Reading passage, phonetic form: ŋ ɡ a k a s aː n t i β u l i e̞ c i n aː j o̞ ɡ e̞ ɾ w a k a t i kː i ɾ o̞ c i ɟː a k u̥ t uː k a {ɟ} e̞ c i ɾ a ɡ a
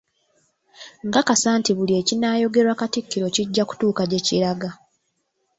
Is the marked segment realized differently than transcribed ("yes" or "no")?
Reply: no